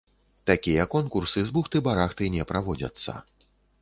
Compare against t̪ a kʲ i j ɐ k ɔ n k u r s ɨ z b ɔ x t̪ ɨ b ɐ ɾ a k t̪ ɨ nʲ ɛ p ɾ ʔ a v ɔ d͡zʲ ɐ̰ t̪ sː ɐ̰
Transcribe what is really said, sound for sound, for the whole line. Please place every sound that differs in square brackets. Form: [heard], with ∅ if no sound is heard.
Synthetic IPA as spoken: t̪ a kʲ i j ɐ k ɔ n k u r s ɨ z b [u] x t̪ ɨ b [a] ɾ a [x] t̪ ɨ nʲ ɛ p ɾ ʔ a v ɔ d͡zʲ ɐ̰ t̪ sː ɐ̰